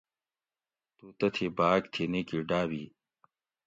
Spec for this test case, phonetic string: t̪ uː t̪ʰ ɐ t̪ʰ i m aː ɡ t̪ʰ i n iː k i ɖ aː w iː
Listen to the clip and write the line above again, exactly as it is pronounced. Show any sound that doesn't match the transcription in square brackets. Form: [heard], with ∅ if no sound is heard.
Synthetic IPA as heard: t̪ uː [t̪] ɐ t̪ʰ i [b] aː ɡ t̪ʰ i n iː k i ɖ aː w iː